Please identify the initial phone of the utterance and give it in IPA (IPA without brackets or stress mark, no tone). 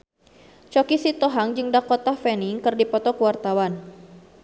t͡ʃ